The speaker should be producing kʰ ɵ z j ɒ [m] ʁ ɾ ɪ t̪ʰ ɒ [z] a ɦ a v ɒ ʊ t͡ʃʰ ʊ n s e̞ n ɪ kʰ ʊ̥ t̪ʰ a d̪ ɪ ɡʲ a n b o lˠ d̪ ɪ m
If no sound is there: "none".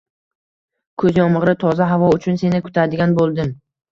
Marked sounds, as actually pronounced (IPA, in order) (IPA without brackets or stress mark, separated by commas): m, z